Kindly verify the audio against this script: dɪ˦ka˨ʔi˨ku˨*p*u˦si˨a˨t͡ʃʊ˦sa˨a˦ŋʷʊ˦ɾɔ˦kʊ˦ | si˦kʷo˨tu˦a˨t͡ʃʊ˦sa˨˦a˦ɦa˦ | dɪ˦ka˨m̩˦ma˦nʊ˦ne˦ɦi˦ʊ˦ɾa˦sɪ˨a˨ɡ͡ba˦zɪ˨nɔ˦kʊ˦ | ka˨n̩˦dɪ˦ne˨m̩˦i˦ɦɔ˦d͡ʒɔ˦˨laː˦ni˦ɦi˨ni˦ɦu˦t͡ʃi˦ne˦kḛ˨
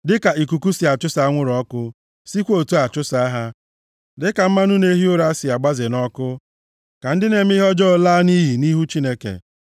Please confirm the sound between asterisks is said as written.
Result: no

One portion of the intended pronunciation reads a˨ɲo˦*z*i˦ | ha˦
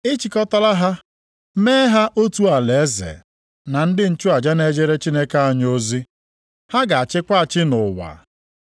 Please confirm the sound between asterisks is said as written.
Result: yes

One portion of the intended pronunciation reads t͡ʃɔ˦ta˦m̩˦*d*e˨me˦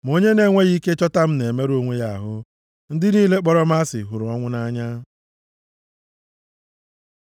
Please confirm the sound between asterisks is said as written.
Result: no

